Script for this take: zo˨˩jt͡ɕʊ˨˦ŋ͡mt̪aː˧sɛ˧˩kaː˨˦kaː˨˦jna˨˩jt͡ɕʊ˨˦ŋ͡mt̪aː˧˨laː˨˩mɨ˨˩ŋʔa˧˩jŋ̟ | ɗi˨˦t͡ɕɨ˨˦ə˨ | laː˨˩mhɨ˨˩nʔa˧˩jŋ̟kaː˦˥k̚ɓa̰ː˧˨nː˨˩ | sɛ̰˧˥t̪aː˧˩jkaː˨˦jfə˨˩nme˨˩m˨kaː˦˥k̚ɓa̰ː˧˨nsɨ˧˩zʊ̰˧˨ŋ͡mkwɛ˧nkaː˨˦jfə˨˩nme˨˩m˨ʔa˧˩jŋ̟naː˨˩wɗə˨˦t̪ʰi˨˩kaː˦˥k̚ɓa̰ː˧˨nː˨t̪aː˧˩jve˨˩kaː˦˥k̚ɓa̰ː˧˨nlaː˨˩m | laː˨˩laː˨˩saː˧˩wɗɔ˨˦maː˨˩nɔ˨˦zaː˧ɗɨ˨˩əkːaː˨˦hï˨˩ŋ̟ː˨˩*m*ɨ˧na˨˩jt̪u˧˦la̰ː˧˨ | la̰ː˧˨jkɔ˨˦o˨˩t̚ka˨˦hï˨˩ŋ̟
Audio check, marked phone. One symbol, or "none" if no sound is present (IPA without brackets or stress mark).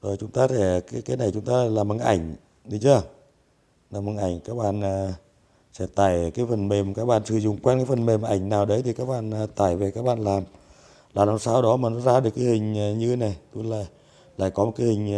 ɲ